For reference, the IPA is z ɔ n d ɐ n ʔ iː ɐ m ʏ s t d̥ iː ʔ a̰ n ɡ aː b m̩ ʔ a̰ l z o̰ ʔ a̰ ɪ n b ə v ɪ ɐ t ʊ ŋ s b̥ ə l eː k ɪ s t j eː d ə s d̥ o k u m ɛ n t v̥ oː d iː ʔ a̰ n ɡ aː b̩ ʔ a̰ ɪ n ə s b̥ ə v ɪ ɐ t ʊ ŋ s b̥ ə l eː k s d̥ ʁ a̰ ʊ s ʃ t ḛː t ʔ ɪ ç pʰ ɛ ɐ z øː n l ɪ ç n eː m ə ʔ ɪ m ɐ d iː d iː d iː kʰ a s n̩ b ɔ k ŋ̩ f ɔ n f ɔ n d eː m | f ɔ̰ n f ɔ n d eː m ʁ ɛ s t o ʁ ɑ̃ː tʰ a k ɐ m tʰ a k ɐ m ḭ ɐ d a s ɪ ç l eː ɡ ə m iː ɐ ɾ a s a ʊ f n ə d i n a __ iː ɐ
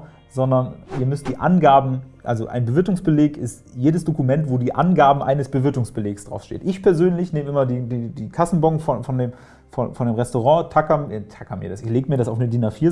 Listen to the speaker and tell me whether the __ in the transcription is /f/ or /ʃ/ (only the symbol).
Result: f